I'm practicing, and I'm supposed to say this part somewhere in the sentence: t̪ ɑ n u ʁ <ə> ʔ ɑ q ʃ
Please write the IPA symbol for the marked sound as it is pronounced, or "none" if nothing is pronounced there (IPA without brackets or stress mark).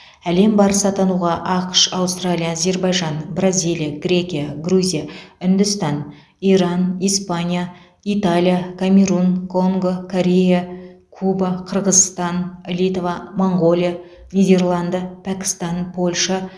ɑ